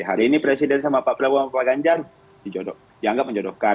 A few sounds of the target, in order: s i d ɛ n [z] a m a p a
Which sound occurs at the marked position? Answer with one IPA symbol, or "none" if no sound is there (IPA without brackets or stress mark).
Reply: s